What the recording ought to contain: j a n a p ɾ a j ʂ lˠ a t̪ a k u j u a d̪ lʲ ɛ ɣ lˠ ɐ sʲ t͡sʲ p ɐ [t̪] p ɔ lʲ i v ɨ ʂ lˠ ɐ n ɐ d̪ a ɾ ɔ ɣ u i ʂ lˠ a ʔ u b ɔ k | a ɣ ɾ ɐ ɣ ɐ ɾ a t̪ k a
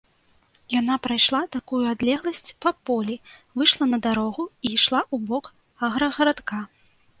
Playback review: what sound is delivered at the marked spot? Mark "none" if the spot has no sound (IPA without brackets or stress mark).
none